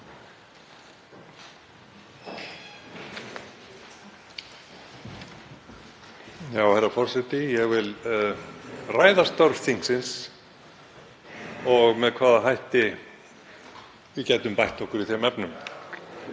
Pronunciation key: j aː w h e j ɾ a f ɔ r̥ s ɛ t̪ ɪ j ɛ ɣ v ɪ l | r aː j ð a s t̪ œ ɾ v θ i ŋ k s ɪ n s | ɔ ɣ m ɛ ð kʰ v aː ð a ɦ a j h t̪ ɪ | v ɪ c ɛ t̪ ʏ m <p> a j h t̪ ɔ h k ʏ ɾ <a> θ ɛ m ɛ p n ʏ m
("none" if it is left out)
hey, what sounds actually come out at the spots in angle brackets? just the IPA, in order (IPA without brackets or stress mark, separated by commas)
p, i